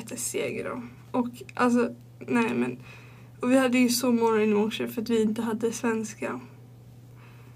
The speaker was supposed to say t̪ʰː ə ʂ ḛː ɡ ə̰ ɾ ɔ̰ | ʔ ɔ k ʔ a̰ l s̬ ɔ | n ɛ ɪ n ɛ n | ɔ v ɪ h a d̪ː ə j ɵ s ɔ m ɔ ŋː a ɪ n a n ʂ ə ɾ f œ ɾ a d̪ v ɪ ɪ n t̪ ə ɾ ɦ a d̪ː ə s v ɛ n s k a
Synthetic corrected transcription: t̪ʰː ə s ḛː ɡ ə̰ ɾ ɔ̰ | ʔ ɔ k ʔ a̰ l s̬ ɔ | n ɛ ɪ m ɛ n | ɔ v ɪ h a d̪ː ə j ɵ s ɔ m ɔ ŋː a ɪ n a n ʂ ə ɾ f œ ɾ a t̪ v ɪ ɪ n t̪ ə ɦ a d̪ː ə s v ɛ n s k a